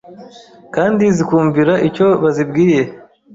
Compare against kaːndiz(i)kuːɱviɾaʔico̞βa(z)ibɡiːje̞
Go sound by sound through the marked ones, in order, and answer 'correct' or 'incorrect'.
correct, correct

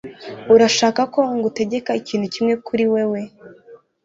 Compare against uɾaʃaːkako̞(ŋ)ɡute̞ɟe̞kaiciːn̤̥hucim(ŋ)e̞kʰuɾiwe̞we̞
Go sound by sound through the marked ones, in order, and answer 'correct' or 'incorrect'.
correct, correct

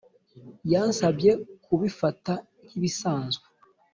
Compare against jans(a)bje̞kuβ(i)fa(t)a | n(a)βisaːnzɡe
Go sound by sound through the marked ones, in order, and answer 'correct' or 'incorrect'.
correct, correct, correct, incorrect: i

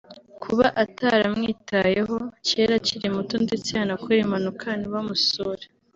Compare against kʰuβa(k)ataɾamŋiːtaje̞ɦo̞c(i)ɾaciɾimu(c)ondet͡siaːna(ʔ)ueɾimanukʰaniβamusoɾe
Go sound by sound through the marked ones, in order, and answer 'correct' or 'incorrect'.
incorrect: ʔ, incorrect: e, incorrect: t, incorrect: k

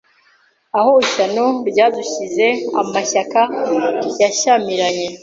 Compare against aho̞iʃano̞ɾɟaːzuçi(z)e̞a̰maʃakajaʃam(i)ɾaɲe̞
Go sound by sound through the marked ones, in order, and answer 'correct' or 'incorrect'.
correct, correct

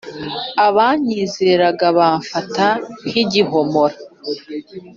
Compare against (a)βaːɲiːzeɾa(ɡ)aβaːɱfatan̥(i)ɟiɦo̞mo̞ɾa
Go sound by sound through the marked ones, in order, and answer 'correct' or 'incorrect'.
correct, correct, correct

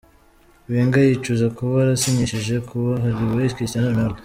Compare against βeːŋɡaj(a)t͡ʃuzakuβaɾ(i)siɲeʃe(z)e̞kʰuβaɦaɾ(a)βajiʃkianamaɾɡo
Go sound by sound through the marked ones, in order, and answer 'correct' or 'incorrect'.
incorrect: i, incorrect: a, incorrect: ʒ, incorrect: i

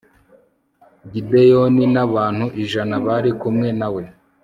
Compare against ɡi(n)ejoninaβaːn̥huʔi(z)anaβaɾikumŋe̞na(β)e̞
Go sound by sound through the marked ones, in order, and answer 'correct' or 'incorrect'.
incorrect: d, incorrect: ʒ, incorrect: w

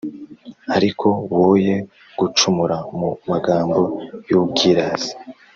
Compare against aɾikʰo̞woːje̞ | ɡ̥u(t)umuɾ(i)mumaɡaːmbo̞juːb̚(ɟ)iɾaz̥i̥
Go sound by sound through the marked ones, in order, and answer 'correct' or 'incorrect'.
incorrect: t͡ʃ, incorrect: a, incorrect: ɡ

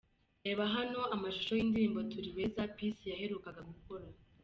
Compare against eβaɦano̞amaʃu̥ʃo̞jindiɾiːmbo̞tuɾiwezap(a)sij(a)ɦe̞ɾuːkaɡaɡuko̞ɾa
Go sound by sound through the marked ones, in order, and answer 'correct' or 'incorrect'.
incorrect: i, correct

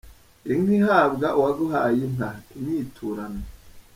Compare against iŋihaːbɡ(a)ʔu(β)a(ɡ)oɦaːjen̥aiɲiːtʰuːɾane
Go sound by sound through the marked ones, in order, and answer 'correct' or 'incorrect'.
correct, incorrect: w, correct

